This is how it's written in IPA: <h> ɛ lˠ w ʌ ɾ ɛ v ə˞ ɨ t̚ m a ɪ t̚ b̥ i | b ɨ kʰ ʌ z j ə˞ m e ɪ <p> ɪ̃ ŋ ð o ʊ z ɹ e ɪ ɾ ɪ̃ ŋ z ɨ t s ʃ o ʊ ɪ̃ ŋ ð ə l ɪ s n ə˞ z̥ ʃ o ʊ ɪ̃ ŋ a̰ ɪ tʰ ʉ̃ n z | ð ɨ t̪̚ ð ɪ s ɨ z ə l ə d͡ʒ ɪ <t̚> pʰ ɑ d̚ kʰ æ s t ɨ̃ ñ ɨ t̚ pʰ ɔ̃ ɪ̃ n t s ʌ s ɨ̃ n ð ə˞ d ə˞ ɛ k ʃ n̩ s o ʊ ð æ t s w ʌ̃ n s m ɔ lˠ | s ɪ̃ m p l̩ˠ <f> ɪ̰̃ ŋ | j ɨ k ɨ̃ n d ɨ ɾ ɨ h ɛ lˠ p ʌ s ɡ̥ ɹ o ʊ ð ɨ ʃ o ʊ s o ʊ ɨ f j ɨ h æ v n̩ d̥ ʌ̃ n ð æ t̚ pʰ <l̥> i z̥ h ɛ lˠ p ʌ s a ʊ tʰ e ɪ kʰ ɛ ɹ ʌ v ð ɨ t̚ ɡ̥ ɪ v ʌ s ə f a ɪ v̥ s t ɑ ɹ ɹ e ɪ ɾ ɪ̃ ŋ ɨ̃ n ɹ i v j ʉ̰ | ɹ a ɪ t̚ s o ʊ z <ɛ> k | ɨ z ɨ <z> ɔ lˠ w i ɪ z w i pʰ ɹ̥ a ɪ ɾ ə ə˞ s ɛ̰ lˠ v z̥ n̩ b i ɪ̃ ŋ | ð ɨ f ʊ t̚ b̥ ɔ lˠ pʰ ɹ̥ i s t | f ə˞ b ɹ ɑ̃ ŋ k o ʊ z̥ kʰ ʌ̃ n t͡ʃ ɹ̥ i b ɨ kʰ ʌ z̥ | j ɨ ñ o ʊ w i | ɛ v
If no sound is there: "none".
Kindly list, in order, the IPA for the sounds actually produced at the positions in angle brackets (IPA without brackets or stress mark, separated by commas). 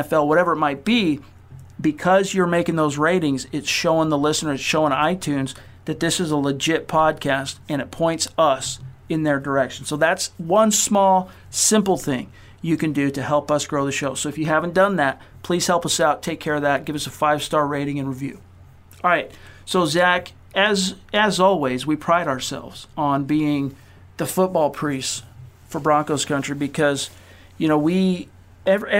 f, k, t̚, θ, l̥, æ, z